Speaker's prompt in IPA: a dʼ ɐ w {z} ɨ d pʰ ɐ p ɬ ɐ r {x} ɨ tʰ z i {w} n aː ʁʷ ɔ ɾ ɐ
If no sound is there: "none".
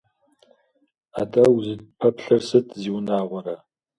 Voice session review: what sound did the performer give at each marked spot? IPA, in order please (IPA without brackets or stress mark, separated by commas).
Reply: z, s, w